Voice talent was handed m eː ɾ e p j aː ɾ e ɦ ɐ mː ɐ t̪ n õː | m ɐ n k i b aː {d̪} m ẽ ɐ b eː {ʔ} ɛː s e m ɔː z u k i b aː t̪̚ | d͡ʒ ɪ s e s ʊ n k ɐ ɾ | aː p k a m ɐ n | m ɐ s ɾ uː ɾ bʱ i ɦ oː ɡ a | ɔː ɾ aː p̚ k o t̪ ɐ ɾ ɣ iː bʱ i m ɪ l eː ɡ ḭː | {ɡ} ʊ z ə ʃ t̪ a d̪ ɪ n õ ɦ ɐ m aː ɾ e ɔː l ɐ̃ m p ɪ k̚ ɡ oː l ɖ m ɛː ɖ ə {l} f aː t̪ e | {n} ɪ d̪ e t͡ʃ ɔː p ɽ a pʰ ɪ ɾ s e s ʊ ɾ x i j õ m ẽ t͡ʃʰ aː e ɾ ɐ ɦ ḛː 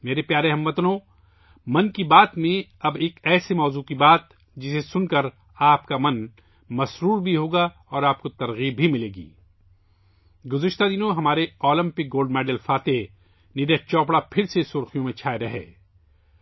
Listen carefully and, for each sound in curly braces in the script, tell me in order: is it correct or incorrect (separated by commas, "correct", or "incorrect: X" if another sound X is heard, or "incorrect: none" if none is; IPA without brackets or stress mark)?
incorrect: t̪, incorrect: k, correct, correct, correct